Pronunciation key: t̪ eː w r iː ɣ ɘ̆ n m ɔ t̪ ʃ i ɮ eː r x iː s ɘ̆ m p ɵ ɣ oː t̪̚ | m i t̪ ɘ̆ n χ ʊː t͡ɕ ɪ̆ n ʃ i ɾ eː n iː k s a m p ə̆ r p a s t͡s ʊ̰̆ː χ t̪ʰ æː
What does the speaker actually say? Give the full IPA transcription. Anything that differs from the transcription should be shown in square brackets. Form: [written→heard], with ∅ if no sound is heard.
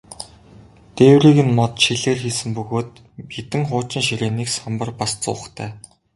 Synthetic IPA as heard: t̪ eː w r iː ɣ ɘ̆ n m ɔ t̪ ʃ i ɮ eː r x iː s ɘ̆ m p ɵ ɣ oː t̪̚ | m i t̪ ɘ̆ [n→ŋ] χ ʊː t͡ɕ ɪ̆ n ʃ i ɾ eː n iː k s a m p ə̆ r p a s t͡s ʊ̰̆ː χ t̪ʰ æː